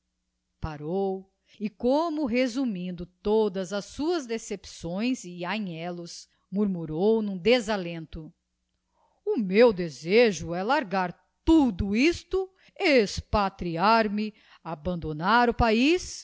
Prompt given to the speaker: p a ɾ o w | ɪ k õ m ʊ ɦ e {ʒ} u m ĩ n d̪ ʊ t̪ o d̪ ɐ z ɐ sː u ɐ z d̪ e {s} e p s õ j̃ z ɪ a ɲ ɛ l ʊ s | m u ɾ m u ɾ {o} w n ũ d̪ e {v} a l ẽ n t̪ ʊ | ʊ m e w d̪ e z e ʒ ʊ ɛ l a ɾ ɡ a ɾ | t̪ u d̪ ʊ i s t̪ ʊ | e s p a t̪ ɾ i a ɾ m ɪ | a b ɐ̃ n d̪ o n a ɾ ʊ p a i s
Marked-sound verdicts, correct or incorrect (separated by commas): incorrect, correct, correct, incorrect